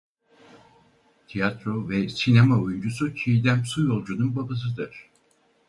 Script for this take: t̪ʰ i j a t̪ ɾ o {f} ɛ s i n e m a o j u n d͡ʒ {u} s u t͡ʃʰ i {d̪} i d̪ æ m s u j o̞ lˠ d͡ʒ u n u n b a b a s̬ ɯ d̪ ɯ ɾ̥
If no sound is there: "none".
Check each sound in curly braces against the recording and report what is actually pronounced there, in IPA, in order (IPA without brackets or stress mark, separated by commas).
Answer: v, u, none